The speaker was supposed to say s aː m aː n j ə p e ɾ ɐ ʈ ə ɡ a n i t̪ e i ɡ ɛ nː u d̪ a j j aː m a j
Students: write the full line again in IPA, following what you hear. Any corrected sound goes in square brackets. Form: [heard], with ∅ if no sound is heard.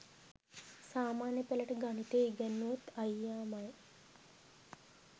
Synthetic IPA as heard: s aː m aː n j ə p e [l] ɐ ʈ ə ɡ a n i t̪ e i ɡ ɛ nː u [t̪] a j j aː m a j